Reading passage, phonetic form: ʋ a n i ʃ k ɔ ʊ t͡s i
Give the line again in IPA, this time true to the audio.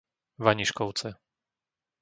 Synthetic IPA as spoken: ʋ a ɲ i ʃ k ɔ ʊ t͡s ɛ